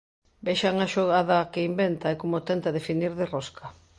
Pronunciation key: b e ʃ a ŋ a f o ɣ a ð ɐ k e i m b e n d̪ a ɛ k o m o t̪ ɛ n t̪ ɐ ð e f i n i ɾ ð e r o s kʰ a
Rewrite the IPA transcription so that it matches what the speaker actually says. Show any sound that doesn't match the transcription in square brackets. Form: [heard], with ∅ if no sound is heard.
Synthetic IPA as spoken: b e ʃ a ŋ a [ʃ] o ɣ a ð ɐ k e i m b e n [t̪] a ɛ k o m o t̪ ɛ n t̪ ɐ ð e f i n i ɾ ð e r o s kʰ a